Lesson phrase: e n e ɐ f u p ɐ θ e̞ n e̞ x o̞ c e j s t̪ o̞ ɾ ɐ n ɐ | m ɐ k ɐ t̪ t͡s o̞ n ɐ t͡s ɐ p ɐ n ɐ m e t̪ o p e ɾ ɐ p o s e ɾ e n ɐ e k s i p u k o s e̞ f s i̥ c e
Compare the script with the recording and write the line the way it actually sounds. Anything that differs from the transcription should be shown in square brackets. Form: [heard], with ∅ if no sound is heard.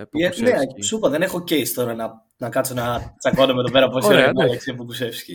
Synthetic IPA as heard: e n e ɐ [s] u p ɐ [ð] e̞ n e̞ x o̞ c e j s t̪ o̞ ɾ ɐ n ɐ | [n] ɐ k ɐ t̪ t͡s o̞ n ɐ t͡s ɐ [k] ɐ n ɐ m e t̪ o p e ɾ ɐ p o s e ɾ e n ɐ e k s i p u k [u] s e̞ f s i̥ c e